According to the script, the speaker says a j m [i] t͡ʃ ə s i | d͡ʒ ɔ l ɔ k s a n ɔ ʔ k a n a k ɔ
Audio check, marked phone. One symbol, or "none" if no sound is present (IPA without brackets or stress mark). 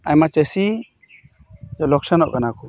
a